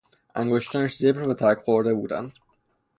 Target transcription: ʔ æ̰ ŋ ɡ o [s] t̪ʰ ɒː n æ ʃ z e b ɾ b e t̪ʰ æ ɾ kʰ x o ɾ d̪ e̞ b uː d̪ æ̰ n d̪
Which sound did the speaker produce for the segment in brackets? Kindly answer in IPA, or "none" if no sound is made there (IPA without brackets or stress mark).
ʃ